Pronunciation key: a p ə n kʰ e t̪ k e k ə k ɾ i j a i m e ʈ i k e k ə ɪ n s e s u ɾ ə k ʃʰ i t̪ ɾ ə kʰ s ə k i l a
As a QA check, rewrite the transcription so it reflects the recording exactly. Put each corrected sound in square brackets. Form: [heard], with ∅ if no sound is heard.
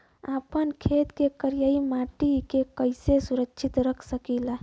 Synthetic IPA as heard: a p ə n kʰ e t̪ k e k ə [∅] ɾ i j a i m [a] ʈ i k e k ə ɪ [∅] s e s u ɾ ə k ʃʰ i t̪ ɾ ə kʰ s ə k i l a